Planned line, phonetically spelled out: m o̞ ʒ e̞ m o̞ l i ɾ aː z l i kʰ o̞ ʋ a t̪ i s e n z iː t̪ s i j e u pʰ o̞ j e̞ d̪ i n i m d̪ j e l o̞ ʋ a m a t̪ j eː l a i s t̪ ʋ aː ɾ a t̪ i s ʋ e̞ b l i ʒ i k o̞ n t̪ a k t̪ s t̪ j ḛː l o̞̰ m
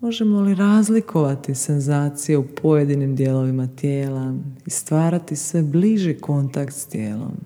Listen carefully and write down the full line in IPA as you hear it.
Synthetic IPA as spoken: m o̞ ʒ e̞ m o̞ l i ɾ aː z l i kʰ o̞ ʋ a t̪ i s e n z aː t̪ s i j e u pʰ o̞ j e̞ d̪ i n i m d̪ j e l o̞ ʋ i m a t̪ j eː l a i s t̪ ʋ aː ɾ a t̪ i s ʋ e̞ b l i ʒ i k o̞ n t̪ a k t̪ s t̪ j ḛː l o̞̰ m